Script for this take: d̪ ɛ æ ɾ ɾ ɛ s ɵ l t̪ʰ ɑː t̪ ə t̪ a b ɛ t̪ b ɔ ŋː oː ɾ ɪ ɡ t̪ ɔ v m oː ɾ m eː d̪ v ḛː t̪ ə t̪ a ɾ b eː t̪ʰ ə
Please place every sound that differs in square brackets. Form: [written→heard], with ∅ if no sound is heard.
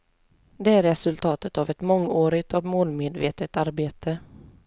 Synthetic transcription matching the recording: d̪ ɛ æ ɾ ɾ ɛ s ɵ l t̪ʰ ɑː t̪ ə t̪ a [b→v] ɛ t̪ [b→m] ɔ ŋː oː ɾ ɪ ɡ t̪ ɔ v m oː [ɾ→l] m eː d̪ v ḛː t̪ ə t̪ a ɾ b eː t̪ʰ ə